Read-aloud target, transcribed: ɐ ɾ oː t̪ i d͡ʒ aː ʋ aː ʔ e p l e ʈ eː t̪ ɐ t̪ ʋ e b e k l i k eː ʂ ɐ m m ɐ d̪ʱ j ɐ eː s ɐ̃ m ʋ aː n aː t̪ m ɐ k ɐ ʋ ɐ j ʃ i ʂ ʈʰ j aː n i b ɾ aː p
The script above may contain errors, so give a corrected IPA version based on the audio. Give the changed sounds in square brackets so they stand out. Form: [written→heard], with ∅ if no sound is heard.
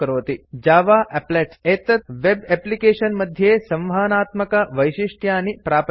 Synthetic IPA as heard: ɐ ɾ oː t̪ i d͡ʒ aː ʋ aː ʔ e p l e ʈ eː t̪ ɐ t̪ ʋ e b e [k→p] l i k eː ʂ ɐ [m→n] m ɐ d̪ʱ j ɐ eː s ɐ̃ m ʋ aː n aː t̪ m ɐ k ɐ ʋ ɐ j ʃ i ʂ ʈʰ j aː n i [b→p] ɾ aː p